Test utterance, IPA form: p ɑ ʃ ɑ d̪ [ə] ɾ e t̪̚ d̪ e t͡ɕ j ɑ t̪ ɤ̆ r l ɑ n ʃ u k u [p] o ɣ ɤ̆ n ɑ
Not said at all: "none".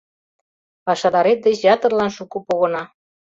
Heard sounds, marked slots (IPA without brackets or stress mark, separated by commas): ɑ, p